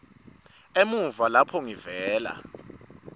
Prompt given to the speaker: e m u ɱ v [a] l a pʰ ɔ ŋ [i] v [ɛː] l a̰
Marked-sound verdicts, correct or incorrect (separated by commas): correct, correct, correct